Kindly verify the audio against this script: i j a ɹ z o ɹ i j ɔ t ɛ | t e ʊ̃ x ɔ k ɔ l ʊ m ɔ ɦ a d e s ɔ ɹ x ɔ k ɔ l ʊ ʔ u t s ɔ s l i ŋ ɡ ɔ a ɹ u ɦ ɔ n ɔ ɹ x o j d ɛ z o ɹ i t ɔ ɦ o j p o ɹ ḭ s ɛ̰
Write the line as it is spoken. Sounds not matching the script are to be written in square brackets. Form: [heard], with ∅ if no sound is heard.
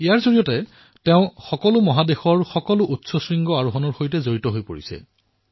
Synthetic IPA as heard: i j a ɹ z o ɹ i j ɔ t ɛ | t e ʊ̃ x ɔ k ɔ l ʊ m ɔ ɦ a d e [x] ɔ ɹ x ɔ k ɔ l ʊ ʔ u t s ɔ s [ɹ] i ŋ ɡ ɔ a ɹ u ɦ ɔ n ɔ ɹ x o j [t] ɛ z o ɹ i t ɔ ɦ o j p o ɹ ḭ s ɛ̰